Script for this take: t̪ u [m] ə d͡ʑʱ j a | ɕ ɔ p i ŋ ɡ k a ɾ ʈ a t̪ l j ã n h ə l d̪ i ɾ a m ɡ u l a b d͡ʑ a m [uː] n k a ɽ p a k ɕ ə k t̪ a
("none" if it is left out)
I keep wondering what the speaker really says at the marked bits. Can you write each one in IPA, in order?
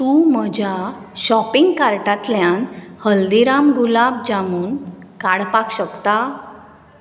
m, uː

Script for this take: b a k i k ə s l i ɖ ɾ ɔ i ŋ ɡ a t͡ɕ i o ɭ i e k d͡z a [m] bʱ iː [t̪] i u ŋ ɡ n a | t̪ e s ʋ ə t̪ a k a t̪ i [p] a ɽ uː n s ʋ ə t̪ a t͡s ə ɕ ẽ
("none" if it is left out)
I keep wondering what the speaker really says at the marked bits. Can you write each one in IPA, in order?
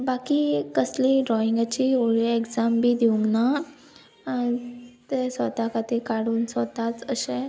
m, d̪, k

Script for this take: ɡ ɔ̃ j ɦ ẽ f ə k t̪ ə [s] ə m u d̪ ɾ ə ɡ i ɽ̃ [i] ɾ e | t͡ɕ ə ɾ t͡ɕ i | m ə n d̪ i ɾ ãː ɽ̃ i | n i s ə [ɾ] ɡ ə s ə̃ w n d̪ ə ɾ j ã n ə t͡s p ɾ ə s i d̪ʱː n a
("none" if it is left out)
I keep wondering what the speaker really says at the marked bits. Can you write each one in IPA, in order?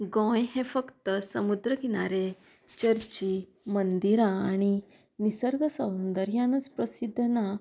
s, a, ɾ

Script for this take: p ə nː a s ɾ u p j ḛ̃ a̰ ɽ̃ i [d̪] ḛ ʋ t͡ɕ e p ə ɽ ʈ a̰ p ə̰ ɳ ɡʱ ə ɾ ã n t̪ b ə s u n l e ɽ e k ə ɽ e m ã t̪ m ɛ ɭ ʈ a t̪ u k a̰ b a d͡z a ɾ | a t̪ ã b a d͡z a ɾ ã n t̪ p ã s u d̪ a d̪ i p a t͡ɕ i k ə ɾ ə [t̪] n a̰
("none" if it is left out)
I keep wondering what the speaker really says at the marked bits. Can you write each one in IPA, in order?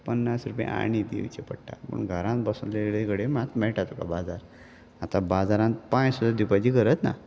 d̪, t̪

